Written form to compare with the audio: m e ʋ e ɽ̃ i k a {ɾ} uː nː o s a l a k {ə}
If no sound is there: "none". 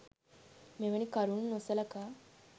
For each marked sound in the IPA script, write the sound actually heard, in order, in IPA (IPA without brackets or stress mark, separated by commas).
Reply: ɾ, a